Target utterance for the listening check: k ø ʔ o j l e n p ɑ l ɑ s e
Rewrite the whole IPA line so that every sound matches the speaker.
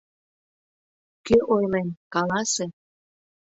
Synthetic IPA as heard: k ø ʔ o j l e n k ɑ l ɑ s e